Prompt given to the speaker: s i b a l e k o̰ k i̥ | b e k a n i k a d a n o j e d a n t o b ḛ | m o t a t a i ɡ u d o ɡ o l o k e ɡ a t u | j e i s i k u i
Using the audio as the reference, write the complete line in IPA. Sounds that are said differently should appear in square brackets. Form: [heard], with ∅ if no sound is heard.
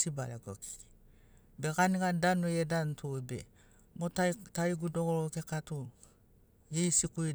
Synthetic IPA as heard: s i b a l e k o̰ k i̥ | b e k a n i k a d a n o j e d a n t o b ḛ | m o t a t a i ɡ u d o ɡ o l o k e [k] a t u | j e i s i k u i